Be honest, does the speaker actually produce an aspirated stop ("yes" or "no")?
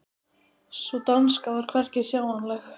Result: yes